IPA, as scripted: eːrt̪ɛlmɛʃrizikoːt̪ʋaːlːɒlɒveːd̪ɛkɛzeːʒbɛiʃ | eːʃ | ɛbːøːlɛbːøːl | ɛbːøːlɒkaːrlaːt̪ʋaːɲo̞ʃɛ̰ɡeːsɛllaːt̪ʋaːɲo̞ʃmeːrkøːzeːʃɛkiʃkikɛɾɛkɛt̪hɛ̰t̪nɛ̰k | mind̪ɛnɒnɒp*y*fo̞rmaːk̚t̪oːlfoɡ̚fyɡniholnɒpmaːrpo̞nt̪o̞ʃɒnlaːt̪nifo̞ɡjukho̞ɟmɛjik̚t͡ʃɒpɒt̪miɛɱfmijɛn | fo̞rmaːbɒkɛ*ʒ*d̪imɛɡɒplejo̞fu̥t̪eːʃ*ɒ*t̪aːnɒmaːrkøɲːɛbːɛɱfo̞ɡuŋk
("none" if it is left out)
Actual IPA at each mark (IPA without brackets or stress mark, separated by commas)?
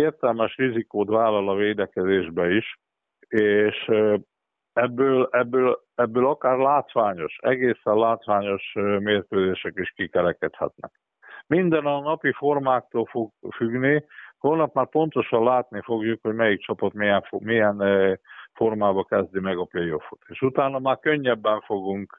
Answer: i, z, u